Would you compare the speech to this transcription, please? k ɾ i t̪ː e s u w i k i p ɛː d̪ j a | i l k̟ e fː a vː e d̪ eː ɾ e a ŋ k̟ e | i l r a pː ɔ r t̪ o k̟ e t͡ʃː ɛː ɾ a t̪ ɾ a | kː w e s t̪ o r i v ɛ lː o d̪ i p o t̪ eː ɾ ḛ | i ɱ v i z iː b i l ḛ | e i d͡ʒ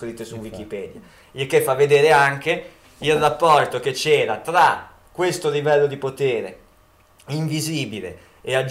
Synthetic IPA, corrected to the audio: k ɾ i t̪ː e s u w i k i p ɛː d̪ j a | i l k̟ e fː a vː e d̪ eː ɾ e a ŋ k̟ e | i l r a pː ɔ r t̪ o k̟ e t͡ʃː ɛː ɾ a t̪ ɾ a | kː w e s t̪ o l i v ɛ lː o d̪ i p o t̪ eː ɾ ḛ | i ɱ v i z iː b i l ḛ | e a d͡ʒ